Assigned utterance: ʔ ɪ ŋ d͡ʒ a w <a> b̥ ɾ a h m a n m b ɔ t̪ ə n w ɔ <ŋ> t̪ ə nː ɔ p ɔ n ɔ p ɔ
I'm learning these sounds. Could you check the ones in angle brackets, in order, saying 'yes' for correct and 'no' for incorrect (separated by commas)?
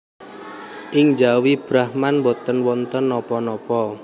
no, no